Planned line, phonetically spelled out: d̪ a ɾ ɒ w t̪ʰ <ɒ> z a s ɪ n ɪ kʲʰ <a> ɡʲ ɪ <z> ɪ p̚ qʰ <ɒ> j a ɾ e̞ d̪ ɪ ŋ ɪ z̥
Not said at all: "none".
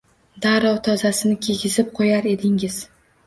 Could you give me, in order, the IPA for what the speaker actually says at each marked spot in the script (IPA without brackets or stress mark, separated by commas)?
ɒ, e, z, o